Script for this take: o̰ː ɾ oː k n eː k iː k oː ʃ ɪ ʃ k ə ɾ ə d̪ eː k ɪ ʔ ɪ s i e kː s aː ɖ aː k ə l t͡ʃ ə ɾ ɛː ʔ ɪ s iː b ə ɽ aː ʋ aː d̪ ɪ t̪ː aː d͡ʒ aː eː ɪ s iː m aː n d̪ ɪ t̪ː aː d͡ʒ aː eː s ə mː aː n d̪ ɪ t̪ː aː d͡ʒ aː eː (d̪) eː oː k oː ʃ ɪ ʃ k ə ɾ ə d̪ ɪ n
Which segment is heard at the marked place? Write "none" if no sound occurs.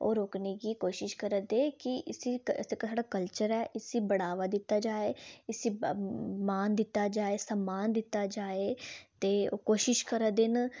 t̪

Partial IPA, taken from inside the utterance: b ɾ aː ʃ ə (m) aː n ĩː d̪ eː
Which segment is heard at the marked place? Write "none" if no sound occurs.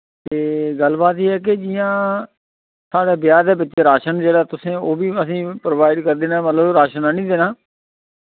n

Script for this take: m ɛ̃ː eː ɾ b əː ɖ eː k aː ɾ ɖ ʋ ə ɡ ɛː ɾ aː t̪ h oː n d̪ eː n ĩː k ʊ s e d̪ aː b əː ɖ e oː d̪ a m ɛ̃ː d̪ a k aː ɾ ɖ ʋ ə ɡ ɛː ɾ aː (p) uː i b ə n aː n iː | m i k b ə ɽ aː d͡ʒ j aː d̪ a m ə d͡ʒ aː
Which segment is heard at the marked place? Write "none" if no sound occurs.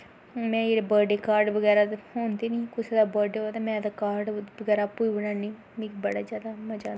p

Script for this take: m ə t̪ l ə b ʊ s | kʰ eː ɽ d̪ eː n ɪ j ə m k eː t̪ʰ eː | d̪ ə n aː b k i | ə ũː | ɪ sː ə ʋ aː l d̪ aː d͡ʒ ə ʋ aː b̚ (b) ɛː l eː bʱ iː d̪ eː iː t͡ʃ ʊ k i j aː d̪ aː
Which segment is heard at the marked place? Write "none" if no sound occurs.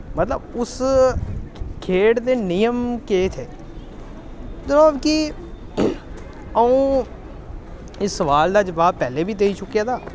p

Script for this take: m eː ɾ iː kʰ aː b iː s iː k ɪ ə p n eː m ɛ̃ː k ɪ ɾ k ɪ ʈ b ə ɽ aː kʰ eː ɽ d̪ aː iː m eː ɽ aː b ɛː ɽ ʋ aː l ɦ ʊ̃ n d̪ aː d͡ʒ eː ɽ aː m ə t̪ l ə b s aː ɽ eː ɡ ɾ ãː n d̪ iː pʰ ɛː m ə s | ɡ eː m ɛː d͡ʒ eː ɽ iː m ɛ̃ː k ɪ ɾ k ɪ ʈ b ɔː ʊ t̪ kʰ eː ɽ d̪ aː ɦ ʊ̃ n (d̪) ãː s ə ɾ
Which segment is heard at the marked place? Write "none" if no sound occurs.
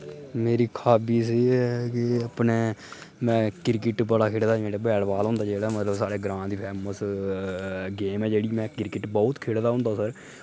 d̪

